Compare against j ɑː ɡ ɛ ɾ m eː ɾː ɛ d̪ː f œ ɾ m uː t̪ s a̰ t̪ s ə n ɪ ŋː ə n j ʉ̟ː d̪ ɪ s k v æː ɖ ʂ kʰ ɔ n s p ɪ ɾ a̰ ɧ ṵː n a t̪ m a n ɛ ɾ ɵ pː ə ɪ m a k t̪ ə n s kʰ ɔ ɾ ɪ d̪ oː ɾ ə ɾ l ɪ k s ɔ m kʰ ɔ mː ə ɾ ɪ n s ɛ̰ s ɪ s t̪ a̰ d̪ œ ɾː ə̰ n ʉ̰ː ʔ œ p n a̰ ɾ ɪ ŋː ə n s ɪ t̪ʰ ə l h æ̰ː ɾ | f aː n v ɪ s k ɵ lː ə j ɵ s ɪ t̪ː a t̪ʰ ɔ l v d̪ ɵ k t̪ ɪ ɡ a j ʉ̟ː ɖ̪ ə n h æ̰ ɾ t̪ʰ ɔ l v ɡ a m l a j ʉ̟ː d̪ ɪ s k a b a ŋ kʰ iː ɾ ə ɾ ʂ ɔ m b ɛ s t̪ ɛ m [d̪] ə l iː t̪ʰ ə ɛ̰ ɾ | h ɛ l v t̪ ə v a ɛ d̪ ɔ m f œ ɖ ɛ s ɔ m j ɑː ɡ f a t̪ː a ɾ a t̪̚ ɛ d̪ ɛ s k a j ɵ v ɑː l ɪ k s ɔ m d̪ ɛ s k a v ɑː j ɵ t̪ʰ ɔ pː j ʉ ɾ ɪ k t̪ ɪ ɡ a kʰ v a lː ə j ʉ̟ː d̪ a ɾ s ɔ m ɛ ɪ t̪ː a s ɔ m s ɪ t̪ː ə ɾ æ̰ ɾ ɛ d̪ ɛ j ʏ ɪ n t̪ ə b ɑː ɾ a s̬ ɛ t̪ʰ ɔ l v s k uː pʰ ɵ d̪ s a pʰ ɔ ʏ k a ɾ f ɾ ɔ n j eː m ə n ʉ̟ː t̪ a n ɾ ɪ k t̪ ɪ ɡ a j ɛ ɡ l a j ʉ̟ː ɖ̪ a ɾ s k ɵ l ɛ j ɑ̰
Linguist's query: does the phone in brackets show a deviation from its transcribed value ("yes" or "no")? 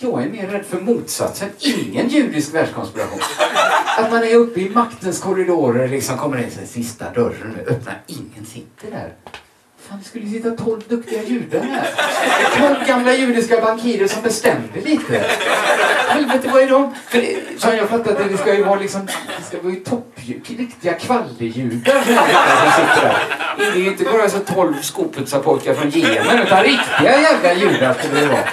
no